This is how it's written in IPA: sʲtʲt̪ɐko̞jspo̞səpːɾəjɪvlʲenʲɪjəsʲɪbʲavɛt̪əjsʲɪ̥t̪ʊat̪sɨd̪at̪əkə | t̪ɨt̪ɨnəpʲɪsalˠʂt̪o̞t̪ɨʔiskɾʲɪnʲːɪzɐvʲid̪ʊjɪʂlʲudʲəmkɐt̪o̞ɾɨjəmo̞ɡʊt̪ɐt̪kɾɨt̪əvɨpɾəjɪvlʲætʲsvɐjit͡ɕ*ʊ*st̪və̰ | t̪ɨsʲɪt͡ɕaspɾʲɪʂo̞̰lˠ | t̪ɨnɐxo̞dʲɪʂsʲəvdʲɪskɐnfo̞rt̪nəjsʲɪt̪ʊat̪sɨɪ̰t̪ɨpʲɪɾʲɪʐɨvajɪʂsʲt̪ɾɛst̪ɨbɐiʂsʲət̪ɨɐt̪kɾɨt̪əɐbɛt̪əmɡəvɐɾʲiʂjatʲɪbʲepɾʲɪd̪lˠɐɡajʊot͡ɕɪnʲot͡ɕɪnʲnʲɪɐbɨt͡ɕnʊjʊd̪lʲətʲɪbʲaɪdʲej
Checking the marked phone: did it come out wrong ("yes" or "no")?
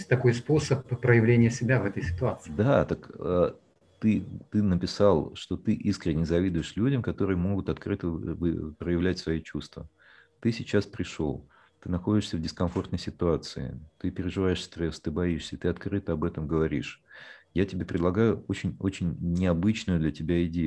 yes